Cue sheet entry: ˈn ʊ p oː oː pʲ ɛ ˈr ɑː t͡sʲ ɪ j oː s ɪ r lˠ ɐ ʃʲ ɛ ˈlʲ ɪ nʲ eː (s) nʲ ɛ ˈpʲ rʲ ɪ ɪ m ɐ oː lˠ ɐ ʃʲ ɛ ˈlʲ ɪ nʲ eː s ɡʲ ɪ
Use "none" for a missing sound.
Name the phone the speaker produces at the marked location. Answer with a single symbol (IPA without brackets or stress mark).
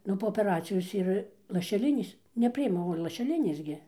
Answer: s